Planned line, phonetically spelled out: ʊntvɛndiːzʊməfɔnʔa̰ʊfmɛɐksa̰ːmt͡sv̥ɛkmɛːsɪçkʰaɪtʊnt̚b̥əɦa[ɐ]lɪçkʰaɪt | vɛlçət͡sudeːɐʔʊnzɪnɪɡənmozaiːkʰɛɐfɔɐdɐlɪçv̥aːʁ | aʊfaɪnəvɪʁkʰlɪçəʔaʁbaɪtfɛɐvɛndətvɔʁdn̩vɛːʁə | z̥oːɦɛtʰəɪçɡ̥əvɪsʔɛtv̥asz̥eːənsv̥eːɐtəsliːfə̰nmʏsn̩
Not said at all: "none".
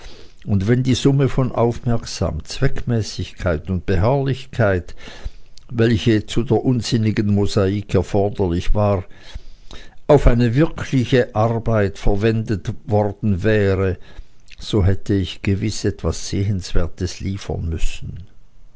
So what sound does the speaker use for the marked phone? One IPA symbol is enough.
ɐ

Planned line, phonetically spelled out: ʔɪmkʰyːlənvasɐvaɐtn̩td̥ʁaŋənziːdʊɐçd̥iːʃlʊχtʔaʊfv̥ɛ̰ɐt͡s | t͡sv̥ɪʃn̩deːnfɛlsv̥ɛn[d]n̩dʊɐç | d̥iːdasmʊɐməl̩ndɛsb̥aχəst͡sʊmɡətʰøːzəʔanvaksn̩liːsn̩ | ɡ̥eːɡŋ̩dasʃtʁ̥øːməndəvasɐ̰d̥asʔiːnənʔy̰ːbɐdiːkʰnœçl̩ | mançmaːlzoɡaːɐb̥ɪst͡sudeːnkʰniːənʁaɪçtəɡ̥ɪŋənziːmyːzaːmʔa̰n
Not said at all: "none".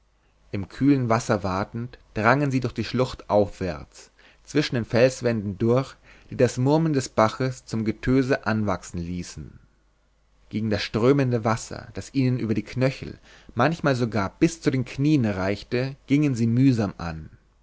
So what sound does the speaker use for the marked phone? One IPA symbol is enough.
d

